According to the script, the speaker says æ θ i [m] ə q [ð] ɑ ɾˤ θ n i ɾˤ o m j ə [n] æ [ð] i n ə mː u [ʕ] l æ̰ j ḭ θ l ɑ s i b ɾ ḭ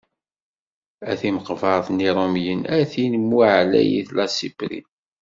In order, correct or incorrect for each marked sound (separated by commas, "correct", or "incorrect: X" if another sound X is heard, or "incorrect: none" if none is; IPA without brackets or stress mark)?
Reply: correct, incorrect: v, correct, incorrect: θ, correct